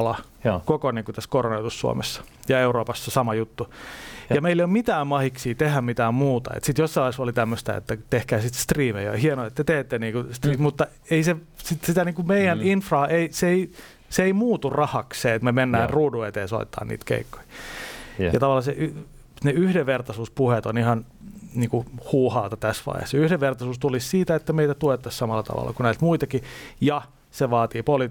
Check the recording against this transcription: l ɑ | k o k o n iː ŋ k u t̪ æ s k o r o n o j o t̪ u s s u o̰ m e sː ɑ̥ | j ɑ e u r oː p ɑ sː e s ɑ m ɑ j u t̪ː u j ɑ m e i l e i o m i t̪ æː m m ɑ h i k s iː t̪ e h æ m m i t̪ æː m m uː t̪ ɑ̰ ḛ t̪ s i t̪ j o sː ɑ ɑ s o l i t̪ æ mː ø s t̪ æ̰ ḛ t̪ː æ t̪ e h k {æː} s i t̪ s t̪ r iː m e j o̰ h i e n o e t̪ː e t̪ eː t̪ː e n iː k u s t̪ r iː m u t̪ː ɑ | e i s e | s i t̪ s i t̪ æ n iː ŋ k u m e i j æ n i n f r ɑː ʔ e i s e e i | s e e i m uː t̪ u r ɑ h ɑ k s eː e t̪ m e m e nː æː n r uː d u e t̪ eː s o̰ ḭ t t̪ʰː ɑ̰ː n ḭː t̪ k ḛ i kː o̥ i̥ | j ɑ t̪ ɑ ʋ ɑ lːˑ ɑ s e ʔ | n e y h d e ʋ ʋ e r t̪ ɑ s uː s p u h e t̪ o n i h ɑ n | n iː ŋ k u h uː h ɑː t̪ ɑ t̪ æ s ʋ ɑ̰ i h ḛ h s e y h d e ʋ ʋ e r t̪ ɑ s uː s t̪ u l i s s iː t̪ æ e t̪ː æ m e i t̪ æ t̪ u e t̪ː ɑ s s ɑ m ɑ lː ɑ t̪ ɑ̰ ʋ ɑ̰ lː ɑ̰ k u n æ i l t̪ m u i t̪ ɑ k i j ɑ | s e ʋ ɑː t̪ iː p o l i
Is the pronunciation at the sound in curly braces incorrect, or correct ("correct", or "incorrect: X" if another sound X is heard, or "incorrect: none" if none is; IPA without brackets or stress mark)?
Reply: correct